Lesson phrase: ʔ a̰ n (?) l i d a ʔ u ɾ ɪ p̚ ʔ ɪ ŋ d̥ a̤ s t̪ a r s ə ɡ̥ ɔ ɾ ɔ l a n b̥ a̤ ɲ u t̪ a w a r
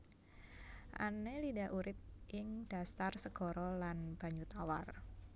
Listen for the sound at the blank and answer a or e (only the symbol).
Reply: e